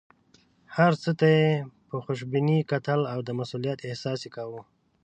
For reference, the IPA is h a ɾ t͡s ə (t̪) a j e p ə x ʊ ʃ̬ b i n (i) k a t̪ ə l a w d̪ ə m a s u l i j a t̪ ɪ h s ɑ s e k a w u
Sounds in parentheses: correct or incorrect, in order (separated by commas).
correct, correct